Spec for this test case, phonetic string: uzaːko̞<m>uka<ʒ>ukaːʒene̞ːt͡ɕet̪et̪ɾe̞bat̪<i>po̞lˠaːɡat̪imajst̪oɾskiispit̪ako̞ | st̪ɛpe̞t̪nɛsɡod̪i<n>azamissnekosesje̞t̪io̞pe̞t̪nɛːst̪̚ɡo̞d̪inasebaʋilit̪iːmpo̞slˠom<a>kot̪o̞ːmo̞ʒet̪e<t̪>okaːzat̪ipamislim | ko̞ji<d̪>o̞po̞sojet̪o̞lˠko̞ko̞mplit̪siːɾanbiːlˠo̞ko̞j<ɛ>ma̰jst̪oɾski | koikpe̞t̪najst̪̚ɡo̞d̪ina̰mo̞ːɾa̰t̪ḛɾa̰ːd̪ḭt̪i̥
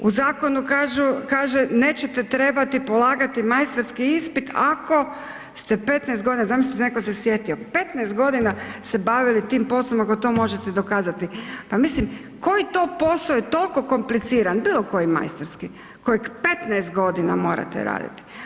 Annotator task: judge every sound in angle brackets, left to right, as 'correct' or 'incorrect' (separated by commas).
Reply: incorrect, correct, correct, correct, correct, incorrect, incorrect, incorrect